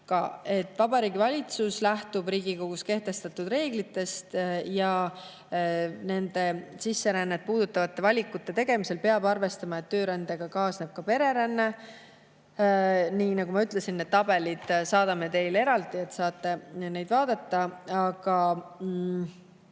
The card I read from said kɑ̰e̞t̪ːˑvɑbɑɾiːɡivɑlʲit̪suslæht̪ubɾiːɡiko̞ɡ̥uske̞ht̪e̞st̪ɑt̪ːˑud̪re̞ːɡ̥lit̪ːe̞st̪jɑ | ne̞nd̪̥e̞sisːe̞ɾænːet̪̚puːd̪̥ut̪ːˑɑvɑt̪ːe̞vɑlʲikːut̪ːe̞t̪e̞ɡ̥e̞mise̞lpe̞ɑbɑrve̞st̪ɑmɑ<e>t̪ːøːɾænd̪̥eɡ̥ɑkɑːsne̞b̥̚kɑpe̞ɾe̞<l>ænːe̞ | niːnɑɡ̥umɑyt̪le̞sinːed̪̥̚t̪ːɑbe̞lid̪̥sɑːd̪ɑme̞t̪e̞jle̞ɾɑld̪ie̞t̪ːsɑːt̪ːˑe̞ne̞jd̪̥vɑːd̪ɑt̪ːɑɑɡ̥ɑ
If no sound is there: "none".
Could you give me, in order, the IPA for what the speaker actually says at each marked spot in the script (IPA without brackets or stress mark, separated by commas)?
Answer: e, ɾ